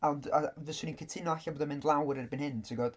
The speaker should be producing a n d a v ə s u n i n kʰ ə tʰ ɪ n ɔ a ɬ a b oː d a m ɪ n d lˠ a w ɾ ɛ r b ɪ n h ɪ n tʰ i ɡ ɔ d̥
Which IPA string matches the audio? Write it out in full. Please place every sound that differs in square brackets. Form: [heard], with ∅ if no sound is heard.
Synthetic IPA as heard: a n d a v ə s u n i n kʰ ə tʰ ɪ n ɔ a ɬ a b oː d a m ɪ n d lˠ a w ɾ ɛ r b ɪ n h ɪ n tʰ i ɡ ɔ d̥